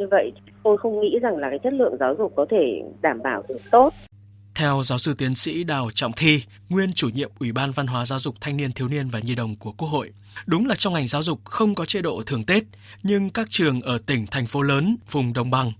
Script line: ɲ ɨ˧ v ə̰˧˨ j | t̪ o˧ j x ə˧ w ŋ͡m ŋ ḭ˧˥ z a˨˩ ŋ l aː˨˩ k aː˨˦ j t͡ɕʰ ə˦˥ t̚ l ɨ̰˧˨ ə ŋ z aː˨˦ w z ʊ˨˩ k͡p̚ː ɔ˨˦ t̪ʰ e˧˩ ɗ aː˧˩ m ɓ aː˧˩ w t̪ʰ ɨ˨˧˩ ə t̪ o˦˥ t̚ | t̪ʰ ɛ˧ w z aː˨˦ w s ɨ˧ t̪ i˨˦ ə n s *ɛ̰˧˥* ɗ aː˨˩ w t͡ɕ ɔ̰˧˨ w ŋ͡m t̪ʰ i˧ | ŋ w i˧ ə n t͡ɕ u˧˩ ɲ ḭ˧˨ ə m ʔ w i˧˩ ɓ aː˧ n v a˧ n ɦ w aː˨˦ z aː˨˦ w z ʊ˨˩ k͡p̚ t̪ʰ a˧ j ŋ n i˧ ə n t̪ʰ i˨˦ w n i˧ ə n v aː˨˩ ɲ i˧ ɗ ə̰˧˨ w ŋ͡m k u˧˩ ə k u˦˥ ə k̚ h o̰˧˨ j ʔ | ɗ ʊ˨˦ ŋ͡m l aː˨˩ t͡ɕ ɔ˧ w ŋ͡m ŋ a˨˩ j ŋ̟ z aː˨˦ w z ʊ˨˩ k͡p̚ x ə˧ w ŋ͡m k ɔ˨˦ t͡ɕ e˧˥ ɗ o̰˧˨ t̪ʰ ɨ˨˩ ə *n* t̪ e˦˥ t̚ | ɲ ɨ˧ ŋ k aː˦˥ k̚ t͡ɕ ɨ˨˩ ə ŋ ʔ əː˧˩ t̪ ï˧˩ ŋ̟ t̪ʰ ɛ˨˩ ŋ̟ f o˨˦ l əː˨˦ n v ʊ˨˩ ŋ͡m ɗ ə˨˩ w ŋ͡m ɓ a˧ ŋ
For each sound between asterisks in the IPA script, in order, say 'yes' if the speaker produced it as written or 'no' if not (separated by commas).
no, no